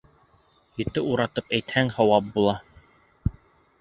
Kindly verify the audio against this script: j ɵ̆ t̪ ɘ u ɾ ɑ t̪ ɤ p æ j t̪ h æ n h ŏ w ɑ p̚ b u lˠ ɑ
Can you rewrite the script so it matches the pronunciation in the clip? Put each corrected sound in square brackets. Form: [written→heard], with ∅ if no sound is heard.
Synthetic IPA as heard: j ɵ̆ t̪ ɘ u ɾ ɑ t̪ ɤ p æ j t̪ h æ [n→ŋ] h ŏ w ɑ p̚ b u lˠ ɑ